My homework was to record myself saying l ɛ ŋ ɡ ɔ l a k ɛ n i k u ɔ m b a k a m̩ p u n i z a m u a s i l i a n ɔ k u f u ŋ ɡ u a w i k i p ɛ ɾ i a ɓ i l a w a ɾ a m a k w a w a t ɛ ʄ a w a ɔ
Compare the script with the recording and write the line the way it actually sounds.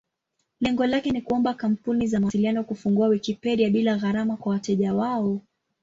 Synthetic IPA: l ɛ ŋ ɡ ɔ l a k ɛ n i k u ɔ m b a k a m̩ p u n i z a m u a s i l i a n ɔ k u f u ŋ ɡ u a w i k i p ɛ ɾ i a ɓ i l a ɣ a ɾ a m a k w a w a t ɛ ʄ a w a ɔ